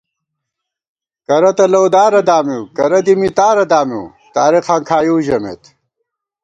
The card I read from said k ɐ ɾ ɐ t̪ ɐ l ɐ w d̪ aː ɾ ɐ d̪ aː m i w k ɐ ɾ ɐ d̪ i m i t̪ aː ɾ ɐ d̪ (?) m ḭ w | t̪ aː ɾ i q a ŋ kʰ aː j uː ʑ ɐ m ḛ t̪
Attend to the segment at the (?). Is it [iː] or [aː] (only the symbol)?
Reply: aː